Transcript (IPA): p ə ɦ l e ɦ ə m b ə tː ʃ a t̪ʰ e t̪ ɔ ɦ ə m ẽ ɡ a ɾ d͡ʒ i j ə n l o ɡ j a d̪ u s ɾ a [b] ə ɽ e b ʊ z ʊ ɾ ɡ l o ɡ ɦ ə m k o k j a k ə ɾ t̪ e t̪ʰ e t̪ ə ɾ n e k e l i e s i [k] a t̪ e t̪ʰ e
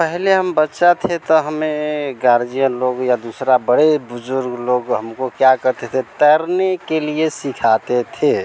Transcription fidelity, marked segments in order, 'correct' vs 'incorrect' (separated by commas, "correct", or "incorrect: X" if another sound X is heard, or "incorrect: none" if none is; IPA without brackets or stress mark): correct, incorrect: kʰ